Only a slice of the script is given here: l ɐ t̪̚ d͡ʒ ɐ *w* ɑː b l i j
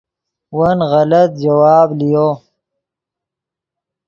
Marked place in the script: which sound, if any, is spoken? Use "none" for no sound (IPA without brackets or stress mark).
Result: w